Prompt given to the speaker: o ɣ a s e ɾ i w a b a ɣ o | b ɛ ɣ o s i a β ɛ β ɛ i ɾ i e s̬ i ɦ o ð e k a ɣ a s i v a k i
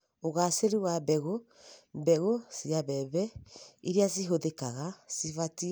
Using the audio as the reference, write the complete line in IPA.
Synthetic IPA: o ɣ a s e ɾ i w a b ɛ ɣ o | b ɛ ɣ o s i a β ɛ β ɛ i ɾ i a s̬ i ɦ o ð e k a ɣ a s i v a t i